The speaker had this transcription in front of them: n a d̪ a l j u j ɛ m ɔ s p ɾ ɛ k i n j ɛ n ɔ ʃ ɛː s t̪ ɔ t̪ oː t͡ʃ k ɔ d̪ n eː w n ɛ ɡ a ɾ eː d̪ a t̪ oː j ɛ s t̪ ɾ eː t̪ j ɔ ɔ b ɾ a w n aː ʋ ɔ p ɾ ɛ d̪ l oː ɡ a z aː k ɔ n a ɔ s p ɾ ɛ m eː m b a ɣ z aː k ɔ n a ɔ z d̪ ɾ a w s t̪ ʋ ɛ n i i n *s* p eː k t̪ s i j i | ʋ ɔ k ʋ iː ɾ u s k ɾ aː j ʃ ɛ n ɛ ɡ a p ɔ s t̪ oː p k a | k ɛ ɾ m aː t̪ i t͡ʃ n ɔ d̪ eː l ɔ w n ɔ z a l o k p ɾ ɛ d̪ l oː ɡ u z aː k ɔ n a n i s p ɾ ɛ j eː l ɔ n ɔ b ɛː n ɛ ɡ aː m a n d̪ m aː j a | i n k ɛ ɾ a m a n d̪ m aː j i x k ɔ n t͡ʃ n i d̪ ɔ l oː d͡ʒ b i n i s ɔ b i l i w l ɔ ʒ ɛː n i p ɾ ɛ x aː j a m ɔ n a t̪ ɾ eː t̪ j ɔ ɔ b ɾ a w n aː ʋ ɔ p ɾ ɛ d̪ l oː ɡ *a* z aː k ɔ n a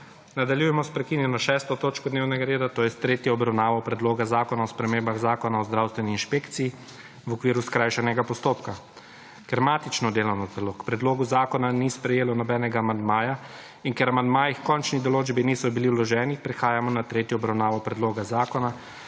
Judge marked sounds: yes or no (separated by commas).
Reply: no, yes